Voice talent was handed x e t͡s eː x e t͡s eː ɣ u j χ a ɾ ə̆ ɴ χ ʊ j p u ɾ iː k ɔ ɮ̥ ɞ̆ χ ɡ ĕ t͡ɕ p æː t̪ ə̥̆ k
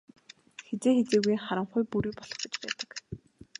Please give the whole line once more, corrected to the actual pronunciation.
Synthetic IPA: x e t͡s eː x e t͡s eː ɣ u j χ a ɾ ə̆ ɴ χ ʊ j p u ɾ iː p ɔ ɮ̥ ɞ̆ χ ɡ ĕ t͡ɕ p æː t̪ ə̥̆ k